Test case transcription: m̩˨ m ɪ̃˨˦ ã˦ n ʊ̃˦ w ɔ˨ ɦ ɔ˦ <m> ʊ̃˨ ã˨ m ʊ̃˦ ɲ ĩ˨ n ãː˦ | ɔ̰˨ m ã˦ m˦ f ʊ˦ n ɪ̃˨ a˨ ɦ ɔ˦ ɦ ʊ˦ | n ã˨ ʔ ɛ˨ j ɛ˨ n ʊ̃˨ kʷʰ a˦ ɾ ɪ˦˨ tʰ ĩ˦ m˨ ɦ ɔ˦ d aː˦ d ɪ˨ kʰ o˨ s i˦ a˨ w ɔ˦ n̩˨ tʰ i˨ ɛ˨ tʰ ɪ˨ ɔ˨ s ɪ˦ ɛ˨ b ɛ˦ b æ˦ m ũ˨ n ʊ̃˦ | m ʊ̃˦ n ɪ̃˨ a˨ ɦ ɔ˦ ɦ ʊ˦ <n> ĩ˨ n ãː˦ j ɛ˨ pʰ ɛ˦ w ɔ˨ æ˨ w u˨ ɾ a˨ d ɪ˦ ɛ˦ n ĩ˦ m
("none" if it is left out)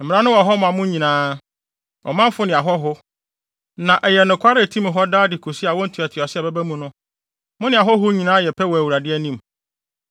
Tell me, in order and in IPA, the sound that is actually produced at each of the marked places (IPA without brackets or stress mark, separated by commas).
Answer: m, ɲ